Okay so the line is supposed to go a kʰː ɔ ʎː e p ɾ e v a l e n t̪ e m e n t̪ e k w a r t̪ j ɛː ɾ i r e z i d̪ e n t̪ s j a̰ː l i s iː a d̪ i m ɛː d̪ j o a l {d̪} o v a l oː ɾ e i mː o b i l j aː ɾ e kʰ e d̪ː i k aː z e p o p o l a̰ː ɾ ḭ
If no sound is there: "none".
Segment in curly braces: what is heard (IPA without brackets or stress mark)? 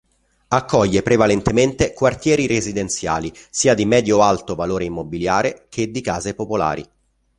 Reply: t̪